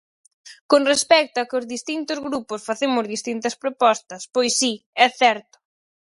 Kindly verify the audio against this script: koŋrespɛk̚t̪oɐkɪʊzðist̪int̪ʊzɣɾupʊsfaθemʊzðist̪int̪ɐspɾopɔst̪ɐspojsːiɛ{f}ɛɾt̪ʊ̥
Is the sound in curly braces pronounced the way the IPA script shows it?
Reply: no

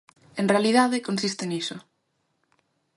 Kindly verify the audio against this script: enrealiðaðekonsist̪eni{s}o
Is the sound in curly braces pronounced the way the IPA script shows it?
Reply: yes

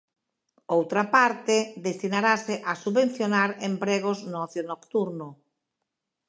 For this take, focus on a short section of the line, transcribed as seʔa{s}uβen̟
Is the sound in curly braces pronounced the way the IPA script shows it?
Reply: yes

